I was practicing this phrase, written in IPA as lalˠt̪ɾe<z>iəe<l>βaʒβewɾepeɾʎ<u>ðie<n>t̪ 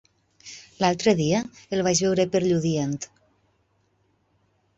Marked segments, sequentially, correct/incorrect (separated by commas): incorrect, correct, correct, correct